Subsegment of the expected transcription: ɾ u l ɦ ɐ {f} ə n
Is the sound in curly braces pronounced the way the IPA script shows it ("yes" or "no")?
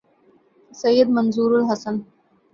no